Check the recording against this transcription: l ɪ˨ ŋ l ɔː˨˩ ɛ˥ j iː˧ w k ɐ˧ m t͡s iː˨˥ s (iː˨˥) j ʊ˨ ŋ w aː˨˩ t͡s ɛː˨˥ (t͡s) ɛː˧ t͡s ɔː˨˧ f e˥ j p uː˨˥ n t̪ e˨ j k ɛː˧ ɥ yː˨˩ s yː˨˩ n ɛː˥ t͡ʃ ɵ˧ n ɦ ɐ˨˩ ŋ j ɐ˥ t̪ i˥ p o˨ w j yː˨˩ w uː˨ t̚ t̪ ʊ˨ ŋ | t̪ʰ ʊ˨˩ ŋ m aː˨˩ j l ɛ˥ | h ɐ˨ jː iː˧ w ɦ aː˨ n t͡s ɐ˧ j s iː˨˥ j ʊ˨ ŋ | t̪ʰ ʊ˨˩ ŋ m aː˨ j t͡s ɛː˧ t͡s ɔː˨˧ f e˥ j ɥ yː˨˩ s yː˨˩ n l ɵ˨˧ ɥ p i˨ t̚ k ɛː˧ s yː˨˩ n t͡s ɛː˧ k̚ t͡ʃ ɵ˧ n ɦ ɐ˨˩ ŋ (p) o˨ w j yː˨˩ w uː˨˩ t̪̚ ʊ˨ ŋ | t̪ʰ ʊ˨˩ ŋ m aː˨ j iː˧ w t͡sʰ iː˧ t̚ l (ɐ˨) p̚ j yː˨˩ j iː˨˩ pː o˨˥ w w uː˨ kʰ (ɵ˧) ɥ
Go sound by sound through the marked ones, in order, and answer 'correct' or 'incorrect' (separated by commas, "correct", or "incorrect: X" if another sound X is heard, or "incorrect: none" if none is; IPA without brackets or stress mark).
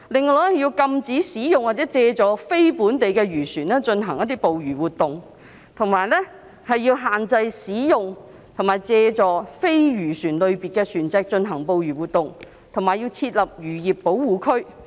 correct, correct, correct, correct, incorrect: ɵ˥